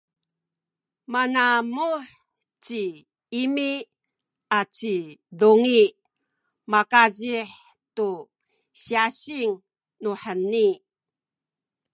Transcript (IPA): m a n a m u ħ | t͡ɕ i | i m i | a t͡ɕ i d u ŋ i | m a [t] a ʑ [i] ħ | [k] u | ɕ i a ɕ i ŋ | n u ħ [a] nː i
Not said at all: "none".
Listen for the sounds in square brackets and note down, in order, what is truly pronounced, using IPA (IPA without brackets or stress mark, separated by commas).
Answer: k, i, t, ə